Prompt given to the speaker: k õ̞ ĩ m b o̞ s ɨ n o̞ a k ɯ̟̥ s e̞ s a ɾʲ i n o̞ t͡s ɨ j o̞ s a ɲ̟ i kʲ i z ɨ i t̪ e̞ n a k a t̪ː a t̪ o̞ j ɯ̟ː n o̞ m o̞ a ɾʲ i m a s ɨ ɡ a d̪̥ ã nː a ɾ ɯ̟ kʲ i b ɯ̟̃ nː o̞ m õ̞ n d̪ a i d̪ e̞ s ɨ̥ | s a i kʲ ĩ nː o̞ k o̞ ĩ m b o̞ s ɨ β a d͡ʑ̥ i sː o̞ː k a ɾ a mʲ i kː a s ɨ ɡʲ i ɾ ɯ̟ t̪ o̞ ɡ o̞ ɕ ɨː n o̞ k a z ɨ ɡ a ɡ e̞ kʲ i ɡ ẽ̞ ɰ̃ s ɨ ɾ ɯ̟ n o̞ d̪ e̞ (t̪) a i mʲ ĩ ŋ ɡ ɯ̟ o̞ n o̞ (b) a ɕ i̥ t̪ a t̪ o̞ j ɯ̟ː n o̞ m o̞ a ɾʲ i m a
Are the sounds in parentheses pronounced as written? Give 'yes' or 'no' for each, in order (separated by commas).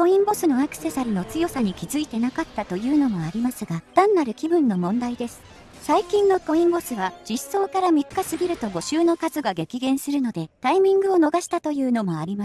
yes, no